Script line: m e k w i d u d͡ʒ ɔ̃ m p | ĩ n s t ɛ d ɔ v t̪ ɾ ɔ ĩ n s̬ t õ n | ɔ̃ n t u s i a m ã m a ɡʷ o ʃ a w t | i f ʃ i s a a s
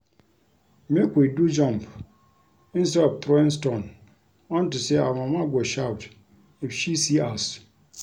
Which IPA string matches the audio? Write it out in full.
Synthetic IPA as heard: m e k w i d u d͡ʒ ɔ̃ m p | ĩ n s t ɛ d ɔ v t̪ ɾ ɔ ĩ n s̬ t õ n | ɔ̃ n t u s e a m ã m a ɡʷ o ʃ a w t | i f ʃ i s i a s